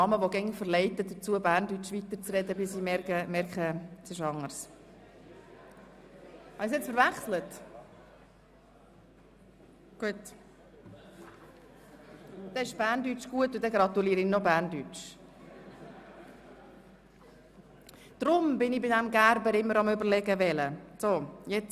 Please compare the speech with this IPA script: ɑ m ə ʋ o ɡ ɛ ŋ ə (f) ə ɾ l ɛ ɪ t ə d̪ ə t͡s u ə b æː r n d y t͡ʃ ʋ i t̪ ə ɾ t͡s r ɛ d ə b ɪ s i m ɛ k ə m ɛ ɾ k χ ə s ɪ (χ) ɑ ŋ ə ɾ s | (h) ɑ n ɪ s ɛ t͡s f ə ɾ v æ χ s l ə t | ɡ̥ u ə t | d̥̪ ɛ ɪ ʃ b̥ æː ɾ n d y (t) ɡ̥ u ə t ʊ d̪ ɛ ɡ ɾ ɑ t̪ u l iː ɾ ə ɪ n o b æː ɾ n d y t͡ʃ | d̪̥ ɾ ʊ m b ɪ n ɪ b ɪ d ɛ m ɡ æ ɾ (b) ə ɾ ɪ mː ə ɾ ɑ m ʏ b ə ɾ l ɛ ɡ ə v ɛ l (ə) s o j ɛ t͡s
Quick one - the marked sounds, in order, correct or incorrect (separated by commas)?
correct, incorrect, correct, incorrect, correct, correct